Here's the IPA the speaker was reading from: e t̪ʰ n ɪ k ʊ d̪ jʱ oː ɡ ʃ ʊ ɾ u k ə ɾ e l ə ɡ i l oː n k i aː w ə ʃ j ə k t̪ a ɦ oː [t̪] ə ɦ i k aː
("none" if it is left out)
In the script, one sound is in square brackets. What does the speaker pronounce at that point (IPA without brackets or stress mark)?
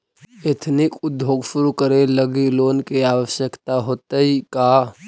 t̪